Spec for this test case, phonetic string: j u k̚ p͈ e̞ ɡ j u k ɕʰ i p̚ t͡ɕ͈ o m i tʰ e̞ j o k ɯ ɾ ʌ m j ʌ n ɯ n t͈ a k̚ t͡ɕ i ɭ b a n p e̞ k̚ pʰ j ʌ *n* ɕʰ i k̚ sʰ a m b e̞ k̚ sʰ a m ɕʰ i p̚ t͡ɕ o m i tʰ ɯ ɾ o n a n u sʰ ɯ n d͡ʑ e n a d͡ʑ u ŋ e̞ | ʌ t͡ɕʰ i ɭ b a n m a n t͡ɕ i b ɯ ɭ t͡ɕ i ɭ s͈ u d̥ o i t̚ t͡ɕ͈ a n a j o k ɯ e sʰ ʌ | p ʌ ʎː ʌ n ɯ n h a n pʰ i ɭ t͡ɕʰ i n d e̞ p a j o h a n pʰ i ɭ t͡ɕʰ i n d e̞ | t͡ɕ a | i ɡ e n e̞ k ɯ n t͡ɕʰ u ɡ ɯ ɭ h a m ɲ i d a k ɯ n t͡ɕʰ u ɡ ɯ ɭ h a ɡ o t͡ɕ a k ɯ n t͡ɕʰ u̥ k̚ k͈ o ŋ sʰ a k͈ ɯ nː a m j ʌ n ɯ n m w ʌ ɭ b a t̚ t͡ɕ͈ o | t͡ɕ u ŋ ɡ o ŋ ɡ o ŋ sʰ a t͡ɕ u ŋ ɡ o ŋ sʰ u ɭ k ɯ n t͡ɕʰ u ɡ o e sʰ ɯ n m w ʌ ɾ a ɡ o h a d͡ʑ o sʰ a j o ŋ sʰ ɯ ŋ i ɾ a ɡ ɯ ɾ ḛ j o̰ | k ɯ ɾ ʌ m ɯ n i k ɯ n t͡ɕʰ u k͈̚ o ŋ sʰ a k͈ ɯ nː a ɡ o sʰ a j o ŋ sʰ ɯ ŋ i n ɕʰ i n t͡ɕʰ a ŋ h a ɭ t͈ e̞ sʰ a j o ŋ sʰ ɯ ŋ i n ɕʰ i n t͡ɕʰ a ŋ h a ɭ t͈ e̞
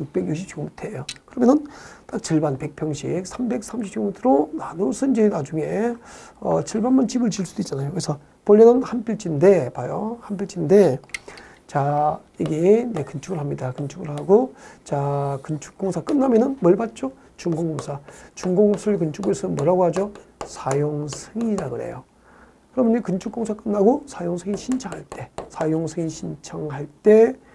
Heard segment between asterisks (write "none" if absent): ŋ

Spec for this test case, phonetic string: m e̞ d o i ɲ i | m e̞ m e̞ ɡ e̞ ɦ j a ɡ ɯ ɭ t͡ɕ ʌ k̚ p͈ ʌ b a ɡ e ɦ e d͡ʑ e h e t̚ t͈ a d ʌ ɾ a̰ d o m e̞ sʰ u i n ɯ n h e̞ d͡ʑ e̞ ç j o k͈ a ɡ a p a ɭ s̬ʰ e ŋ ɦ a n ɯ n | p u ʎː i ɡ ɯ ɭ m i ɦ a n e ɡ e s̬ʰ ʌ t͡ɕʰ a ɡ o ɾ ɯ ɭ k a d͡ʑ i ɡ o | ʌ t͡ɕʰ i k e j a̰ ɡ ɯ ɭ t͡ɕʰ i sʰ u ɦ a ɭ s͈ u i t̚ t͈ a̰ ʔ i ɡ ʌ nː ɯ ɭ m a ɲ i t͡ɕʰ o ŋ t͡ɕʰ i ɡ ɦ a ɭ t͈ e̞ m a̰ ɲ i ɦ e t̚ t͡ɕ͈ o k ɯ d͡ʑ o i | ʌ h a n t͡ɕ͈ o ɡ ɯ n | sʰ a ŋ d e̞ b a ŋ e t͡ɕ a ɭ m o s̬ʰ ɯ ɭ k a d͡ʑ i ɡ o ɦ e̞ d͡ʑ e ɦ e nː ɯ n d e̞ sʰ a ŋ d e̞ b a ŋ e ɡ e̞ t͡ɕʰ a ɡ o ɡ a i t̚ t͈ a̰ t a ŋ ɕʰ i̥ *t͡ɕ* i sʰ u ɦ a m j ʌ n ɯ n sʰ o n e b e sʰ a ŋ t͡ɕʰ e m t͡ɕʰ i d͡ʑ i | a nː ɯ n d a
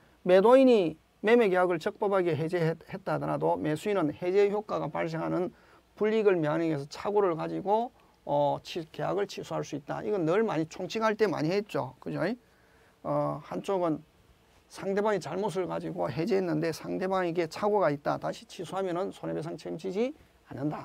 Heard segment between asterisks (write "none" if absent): t͡ɕʰ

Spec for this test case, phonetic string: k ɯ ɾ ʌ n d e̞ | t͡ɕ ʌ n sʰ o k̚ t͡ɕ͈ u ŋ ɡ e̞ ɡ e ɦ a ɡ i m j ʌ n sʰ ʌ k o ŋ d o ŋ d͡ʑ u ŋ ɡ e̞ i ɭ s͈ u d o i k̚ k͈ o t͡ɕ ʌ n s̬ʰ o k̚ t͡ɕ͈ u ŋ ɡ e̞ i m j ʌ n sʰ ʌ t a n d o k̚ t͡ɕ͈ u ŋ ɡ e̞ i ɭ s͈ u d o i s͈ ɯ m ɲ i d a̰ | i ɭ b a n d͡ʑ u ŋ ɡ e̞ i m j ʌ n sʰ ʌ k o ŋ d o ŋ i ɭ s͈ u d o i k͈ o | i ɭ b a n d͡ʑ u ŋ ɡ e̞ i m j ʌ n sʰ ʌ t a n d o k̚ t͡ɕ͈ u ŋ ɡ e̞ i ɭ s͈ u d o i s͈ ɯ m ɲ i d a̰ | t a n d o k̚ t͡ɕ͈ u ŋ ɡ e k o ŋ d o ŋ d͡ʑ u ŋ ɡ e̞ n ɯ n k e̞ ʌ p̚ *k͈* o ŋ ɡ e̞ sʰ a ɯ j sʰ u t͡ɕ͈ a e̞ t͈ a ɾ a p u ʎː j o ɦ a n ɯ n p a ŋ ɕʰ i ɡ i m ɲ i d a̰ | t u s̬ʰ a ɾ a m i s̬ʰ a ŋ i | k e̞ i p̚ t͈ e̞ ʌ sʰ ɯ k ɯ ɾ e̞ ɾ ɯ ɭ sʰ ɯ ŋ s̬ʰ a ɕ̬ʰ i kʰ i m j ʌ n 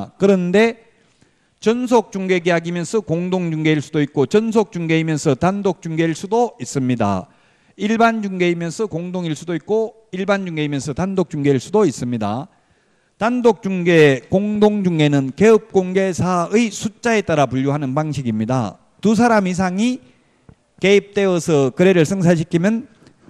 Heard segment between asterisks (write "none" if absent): k͈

